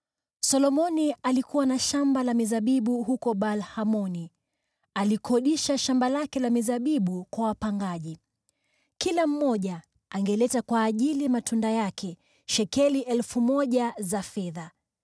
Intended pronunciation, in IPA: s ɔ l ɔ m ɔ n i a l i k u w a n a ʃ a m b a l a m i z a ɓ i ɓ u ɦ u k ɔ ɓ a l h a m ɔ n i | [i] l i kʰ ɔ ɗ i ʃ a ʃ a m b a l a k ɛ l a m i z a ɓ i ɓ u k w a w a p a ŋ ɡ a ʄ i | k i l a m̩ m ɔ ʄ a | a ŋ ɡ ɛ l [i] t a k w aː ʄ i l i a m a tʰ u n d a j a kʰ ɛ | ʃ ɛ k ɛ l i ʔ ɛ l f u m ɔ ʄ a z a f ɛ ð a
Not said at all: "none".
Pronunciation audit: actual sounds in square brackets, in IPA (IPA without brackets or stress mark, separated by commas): a, ɛ